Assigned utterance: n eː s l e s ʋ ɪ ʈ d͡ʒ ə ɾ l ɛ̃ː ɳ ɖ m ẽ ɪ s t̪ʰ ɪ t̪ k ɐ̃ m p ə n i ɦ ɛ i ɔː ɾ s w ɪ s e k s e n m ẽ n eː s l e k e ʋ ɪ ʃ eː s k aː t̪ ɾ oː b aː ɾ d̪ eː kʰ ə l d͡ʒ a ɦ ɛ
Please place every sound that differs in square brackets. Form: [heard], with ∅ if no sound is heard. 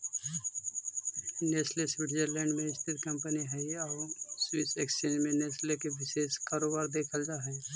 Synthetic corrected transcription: n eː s l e s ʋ ɪ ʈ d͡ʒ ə ɾ l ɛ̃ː ɳ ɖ m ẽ ɪ s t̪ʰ ɪ t̪ k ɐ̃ m p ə n i ɦ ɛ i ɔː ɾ s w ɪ s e k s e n m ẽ n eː s l e k e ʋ ɪ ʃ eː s k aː [∅] ɾ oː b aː ɾ d̪ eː kʰ ə l d͡ʒ a ɦ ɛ